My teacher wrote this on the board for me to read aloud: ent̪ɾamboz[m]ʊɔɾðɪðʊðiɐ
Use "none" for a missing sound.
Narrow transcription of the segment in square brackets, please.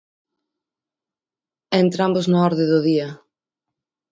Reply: n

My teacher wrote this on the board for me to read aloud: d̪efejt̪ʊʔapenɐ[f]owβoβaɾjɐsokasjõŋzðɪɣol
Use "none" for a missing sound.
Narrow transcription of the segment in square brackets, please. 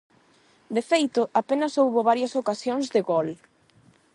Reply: s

